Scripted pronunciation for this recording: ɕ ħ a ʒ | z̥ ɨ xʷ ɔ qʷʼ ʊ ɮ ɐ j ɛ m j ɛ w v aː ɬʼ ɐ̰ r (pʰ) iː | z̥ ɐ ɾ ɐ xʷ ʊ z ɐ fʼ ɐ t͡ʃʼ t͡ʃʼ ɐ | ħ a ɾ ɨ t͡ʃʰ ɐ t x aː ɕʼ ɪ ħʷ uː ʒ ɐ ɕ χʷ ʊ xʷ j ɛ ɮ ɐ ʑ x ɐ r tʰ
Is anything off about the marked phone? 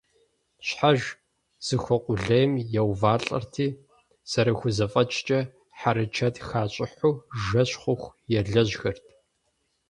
yes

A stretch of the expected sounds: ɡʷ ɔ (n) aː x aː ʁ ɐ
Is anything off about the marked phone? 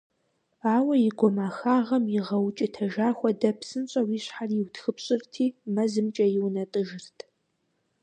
yes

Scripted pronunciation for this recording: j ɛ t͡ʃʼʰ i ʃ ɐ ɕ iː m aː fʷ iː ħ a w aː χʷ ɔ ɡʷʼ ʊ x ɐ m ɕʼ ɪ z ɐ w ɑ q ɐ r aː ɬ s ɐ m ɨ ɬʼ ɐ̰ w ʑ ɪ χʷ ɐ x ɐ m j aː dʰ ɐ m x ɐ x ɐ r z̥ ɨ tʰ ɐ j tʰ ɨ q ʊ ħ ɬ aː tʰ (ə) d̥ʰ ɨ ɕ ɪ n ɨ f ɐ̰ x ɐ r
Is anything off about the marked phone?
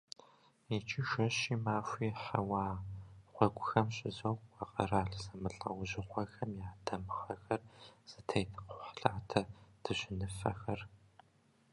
yes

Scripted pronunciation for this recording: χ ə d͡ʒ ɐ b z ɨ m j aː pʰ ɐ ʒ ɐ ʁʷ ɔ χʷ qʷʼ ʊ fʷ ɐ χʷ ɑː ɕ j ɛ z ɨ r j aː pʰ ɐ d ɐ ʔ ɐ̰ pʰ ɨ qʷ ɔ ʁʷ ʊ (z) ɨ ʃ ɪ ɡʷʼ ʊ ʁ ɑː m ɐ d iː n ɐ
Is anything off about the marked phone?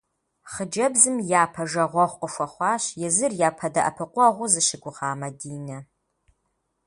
no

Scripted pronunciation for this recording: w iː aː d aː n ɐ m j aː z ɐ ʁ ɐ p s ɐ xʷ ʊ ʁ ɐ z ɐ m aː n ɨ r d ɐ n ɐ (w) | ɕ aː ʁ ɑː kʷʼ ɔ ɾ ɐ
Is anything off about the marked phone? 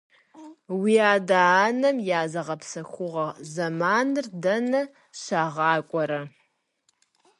yes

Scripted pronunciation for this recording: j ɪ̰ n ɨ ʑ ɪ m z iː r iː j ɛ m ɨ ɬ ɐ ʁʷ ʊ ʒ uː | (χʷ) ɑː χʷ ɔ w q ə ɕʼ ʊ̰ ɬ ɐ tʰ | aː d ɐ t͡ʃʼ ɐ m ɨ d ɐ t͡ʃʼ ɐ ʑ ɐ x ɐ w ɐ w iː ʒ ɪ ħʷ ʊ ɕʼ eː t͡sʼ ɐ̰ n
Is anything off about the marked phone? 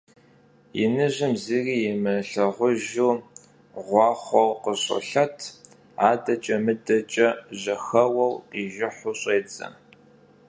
yes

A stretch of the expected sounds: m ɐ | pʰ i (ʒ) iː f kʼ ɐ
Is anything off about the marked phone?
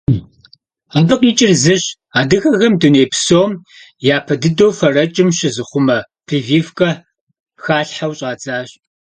yes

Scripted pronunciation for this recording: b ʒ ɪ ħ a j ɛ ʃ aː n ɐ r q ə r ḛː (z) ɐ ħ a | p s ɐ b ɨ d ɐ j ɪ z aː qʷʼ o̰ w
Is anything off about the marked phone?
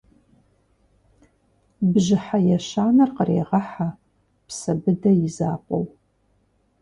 yes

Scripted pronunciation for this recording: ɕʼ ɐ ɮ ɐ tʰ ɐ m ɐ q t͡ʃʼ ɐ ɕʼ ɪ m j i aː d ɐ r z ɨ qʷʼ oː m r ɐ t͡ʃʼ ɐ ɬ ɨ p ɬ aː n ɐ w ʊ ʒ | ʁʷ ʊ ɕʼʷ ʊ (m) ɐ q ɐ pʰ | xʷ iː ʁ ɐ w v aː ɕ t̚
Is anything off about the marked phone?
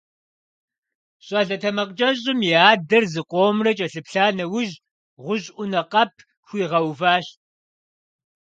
yes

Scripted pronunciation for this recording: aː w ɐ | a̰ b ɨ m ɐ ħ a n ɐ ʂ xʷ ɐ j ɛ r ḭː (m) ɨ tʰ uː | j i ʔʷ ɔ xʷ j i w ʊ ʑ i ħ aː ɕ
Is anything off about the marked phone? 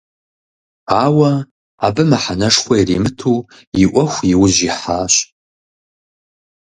no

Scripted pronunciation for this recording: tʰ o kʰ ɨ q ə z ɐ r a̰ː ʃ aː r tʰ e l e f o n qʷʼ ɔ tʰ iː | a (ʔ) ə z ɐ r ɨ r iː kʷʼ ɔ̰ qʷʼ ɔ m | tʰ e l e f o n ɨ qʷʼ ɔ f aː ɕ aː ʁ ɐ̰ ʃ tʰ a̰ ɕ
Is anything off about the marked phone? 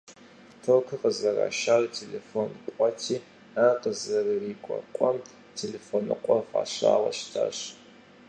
yes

